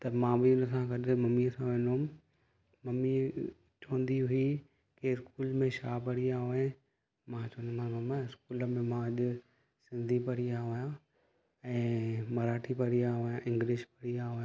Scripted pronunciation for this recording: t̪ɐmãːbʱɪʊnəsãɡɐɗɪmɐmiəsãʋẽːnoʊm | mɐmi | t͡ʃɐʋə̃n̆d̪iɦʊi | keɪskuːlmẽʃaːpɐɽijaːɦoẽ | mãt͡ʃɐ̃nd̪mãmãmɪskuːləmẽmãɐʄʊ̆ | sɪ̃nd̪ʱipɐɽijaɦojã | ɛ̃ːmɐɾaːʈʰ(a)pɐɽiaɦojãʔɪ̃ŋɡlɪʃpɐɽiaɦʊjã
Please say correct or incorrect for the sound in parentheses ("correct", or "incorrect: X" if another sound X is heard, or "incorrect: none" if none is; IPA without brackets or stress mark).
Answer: incorrect: i